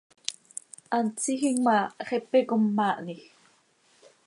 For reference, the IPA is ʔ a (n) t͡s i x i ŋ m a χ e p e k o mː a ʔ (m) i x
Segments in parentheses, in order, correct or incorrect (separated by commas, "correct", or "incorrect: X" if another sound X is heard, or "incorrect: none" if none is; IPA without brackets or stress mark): correct, incorrect: n